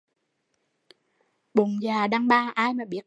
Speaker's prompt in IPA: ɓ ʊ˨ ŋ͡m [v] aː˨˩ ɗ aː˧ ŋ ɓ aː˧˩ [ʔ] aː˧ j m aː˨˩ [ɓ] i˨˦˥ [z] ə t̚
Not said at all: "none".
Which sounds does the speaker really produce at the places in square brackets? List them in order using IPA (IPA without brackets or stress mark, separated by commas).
z, ʔ, ɓ, none